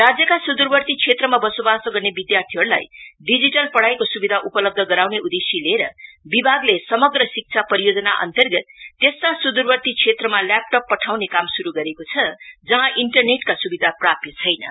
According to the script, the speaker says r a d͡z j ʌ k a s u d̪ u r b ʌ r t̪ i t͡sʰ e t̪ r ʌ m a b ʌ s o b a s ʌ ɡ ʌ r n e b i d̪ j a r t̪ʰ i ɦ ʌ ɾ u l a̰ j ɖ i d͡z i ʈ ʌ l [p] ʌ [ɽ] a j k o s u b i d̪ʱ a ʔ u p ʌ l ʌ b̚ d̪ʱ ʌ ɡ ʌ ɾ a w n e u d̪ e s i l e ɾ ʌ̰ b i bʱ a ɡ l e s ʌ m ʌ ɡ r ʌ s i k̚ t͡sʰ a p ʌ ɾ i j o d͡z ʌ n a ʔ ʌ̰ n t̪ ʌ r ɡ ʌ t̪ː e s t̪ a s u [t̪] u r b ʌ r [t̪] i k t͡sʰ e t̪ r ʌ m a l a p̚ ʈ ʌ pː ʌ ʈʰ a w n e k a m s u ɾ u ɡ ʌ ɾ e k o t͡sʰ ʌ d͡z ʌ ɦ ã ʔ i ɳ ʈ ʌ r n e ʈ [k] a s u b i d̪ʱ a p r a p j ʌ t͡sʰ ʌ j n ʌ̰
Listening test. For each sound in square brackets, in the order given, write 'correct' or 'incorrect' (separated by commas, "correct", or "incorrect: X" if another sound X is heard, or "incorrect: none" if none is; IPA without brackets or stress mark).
correct, correct, incorrect: d̪, correct, correct